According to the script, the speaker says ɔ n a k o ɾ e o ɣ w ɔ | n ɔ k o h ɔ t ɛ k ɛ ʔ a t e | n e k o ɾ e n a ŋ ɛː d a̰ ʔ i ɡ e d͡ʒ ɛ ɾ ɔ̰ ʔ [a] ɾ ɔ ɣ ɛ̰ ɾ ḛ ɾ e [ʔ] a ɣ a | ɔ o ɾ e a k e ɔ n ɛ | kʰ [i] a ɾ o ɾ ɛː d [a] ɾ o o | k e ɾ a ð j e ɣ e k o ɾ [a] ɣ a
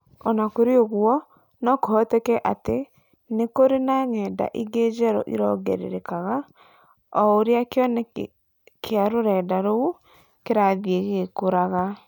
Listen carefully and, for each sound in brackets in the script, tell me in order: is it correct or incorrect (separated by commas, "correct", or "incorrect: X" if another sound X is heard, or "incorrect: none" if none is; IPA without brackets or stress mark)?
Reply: incorrect: i, incorrect: k, incorrect: e, correct, correct